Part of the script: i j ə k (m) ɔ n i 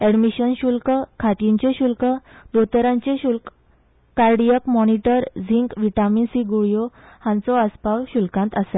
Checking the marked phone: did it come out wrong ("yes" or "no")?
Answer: no